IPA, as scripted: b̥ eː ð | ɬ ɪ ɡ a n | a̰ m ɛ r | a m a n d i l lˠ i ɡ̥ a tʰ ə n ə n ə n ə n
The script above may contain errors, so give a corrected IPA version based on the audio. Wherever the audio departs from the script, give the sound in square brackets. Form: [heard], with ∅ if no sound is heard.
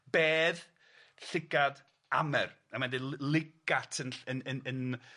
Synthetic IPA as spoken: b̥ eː ð | ɬ ɪ ɡ a [d] | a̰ m ɛ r | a m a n d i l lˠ [ɪ] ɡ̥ a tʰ ə n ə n ə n ə n